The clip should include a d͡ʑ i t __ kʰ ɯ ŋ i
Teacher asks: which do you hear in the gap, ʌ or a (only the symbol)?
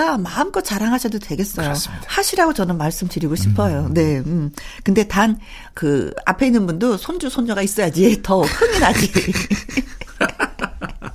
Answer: ʌ